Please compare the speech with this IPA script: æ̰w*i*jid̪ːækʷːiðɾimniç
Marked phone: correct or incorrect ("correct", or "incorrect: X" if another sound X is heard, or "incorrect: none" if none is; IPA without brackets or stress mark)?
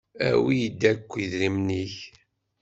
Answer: correct